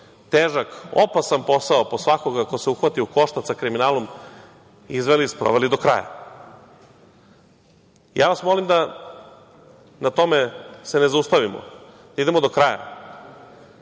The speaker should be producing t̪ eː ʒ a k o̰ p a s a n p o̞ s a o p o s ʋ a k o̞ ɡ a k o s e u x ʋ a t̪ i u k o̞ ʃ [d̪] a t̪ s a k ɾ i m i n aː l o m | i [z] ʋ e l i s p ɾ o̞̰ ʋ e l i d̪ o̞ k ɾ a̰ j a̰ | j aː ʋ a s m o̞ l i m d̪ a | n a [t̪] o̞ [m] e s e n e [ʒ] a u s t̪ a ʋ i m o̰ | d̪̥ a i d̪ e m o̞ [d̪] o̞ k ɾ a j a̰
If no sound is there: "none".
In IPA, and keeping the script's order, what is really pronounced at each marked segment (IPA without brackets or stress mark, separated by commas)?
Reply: t̪, z, t̪, m, z, d̪